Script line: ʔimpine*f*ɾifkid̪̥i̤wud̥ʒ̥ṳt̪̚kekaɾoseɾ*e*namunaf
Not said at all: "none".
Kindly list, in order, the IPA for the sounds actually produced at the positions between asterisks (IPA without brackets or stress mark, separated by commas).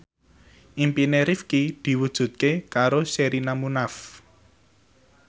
none, i